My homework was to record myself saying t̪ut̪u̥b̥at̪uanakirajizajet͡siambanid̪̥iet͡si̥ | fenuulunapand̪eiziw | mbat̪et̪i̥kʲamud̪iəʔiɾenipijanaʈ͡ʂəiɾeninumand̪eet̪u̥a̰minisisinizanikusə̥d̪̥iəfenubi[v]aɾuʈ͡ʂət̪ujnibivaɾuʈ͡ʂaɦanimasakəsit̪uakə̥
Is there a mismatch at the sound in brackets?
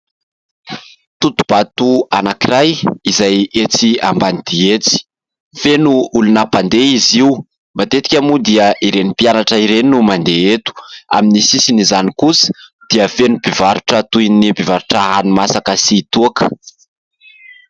no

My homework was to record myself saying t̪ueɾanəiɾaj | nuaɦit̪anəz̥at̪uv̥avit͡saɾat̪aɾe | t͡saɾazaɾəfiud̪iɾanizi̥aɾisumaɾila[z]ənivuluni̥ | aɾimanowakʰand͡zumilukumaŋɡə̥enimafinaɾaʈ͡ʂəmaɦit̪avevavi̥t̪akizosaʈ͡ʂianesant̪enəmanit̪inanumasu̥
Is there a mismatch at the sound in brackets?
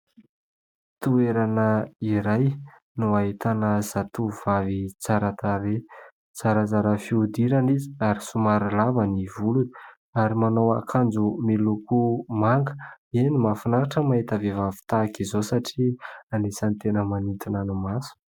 yes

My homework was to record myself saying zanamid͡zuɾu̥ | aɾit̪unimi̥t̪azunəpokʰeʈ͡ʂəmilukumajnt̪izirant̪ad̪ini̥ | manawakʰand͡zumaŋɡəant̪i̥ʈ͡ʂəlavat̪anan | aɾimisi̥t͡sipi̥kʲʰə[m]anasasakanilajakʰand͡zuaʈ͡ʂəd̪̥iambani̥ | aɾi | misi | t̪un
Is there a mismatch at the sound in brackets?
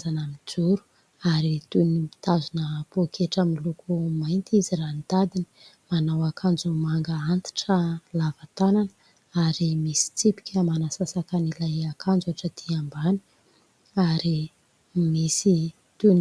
no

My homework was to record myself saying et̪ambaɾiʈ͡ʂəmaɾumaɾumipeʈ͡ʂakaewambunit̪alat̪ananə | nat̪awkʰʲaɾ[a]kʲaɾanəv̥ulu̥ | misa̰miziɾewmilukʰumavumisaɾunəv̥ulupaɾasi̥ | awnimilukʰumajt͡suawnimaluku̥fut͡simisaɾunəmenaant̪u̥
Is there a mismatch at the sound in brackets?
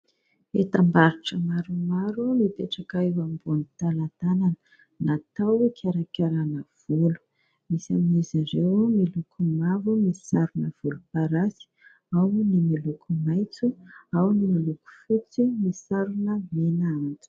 no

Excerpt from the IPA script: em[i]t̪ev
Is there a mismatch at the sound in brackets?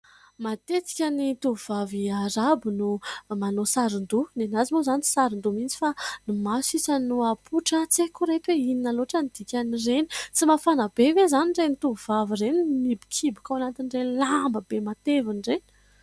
yes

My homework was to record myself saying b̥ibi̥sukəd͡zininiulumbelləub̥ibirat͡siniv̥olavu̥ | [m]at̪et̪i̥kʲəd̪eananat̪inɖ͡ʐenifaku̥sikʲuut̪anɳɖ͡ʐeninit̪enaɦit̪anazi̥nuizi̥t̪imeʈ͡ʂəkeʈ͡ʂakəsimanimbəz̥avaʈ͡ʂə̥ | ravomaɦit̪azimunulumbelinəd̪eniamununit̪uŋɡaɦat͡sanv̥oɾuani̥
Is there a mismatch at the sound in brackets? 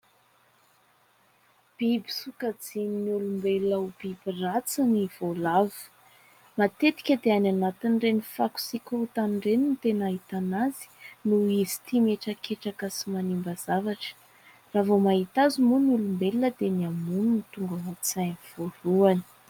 no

